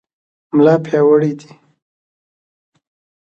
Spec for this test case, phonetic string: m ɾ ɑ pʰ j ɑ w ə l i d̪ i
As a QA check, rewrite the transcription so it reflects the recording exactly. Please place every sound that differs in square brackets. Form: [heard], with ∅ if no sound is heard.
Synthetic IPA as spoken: m [l] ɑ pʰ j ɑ w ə [ɽ] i d̪ i